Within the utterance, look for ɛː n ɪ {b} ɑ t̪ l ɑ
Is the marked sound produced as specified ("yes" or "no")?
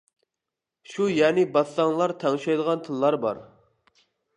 yes